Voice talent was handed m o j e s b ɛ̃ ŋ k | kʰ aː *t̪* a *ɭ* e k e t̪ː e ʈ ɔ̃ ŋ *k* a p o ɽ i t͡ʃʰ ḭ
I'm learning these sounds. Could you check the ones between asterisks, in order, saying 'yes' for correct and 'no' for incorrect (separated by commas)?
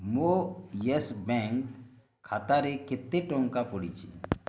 yes, no, yes